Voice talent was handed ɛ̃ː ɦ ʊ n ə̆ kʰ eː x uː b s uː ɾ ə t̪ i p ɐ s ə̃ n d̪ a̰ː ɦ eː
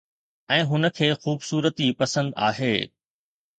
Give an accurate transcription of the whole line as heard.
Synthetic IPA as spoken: ɛ̃ː ɦ ʊ n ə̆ kʰ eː x uː b s uː ɾ ə t̪ i p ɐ s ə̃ n d̪ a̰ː ɦ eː